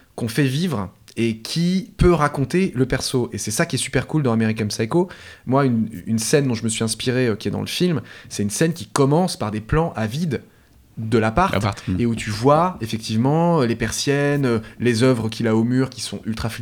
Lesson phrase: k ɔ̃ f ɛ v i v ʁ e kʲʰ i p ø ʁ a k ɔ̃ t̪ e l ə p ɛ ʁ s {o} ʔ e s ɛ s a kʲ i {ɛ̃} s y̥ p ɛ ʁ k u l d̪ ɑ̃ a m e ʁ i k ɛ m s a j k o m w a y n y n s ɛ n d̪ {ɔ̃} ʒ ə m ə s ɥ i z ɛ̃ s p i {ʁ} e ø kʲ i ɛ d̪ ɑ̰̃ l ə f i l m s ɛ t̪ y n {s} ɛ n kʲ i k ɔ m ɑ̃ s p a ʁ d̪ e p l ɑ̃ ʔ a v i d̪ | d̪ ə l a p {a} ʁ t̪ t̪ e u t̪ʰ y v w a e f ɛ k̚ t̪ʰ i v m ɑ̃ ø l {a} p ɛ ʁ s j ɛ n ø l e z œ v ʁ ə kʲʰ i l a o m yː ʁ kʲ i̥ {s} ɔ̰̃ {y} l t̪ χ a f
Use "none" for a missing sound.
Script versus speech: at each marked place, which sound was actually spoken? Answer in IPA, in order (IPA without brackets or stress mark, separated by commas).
o, ɛ, ɔ̃, ʁ, s, a, e, s, y